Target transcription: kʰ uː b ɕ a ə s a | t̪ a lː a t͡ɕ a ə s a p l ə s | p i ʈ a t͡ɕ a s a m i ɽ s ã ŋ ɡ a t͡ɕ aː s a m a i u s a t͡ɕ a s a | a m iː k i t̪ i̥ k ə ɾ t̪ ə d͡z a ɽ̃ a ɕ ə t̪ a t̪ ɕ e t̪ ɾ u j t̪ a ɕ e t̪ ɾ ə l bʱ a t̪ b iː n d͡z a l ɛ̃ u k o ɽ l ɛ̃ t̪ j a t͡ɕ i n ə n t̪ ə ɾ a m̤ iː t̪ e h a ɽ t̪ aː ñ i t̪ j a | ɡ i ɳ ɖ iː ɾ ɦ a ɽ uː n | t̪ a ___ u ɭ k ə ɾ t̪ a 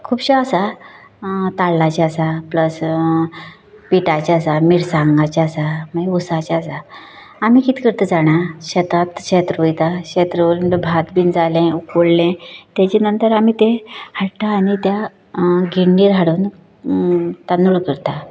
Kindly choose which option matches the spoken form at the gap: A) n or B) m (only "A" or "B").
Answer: A